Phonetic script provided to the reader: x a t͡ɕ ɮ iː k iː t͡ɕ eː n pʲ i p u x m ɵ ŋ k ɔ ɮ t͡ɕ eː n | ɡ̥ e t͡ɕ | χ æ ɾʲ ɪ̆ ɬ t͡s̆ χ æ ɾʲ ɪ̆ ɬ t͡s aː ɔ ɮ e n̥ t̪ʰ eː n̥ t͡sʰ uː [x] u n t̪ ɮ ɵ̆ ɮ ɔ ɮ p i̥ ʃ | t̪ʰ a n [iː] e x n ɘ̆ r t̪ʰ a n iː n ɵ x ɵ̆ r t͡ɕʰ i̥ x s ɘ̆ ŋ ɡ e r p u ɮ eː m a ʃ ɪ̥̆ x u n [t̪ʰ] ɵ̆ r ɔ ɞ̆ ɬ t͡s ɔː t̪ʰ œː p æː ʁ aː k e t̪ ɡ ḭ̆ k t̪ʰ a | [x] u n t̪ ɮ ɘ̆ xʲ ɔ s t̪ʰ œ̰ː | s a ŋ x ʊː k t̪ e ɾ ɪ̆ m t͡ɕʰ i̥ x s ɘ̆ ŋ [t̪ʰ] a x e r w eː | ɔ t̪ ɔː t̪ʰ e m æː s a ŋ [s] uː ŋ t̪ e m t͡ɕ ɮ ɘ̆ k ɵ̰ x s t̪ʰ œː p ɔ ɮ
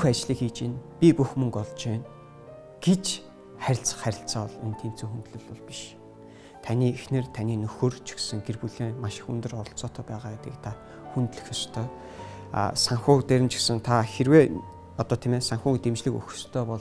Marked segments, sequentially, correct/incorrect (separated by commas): correct, correct, incorrect, correct, correct, incorrect